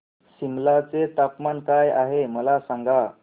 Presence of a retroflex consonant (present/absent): absent